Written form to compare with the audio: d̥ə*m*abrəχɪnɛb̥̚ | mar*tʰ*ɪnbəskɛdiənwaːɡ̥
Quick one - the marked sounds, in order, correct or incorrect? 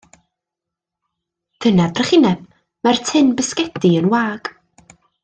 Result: incorrect, correct

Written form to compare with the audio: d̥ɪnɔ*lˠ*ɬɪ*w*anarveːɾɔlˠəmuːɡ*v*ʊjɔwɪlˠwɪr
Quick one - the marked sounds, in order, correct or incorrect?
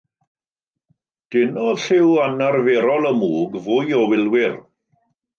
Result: incorrect, correct, correct

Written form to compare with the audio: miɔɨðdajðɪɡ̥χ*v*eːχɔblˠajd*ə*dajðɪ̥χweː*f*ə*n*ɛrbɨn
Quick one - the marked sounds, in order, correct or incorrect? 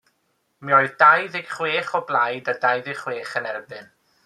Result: incorrect, incorrect, incorrect, correct

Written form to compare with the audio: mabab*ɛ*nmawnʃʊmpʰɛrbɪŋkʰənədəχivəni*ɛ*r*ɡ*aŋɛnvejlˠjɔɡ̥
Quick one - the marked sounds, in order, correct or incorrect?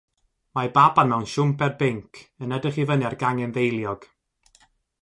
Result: incorrect, incorrect, correct

